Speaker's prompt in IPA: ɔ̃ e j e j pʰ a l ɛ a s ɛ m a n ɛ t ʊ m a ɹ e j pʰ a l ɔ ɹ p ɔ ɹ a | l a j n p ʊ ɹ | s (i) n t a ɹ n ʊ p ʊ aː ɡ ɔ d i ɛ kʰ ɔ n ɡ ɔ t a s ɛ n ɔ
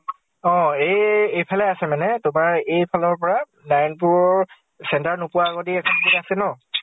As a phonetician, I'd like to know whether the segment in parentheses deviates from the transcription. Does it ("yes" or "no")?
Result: yes